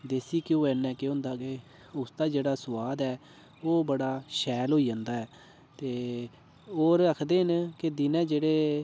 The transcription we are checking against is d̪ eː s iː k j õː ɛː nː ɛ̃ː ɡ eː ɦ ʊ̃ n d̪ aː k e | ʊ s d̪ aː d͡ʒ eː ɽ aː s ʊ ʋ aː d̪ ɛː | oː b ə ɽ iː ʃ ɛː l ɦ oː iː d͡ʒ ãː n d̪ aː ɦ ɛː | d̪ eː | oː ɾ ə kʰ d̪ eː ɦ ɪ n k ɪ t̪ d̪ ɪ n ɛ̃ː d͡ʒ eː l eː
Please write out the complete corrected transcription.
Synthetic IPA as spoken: d̪ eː s iː k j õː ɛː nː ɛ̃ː k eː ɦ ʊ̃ n d̪ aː k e | ʊ s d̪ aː d͡ʒ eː ɽ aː s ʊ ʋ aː d̪ ɛː | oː b ə ɽ aː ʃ ɛː l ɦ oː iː d͡ʒ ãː n d̪ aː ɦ ɛː | t̪ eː | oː ɾ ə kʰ d̪ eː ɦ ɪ n k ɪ d̪ ɪ n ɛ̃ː d͡ʒ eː ɽ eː